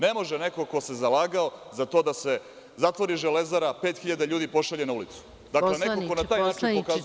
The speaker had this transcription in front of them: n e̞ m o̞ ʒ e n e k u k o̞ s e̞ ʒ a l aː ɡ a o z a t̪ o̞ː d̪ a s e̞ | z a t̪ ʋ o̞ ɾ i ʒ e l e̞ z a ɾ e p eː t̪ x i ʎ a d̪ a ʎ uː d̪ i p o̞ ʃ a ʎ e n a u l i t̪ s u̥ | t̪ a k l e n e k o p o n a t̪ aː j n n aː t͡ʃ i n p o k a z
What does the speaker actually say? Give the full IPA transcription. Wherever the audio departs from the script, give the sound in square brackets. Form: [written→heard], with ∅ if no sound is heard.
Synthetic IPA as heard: n e̞ m o̞ ʒ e n e k [u→o] k o̞ s e̞ [ʒ→z] a l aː ɡ a o z a t̪ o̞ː d̪ a s e̞ | z a t̪ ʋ o̞ ɾ i ʒ e l e̞ z a ɾ [e→a] p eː t̪ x i ʎ a d̪ a ʎ uː d̪ i p o̞ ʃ a ʎ e n a u l i t̪ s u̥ | [t̪→d̪] a k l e n e k o [p→k] o n a t̪ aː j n n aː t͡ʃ i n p o k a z